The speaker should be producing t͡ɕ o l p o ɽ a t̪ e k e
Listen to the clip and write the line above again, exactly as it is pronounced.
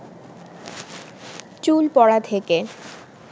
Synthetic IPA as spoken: t͡ɕ u l p ɔ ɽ a t̪ʰ e k e